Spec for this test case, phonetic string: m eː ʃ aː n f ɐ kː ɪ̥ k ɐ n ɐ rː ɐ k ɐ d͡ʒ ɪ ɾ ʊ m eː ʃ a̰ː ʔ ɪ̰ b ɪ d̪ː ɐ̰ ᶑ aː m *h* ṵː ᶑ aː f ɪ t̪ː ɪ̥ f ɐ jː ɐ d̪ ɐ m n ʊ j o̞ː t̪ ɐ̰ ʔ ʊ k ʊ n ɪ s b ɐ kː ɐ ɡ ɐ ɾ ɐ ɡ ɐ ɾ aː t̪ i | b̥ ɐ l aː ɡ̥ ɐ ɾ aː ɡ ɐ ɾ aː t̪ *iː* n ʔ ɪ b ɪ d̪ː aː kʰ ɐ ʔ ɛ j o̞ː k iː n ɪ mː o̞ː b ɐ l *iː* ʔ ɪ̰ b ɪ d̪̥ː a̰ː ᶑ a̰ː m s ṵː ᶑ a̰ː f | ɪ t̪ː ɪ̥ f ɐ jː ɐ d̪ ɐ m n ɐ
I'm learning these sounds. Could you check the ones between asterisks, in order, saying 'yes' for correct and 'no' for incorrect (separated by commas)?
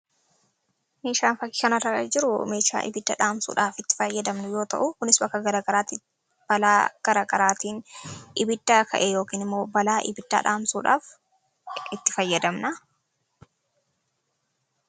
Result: no, yes, no